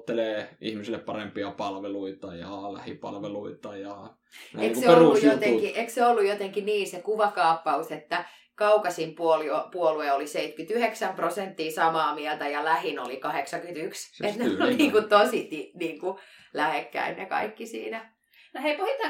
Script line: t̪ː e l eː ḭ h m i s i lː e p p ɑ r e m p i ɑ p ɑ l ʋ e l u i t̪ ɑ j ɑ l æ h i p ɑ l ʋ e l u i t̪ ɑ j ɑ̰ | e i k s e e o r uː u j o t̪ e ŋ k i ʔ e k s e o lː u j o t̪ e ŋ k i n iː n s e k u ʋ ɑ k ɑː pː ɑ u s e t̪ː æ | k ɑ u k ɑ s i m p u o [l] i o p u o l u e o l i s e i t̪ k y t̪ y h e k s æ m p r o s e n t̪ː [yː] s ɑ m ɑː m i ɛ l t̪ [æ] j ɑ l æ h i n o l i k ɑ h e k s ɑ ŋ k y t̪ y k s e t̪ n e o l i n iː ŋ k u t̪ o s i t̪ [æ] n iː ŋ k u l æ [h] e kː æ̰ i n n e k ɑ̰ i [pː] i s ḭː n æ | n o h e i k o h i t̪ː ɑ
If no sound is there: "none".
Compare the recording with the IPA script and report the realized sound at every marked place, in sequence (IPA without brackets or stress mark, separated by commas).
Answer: l, iː, æ, i, h, kː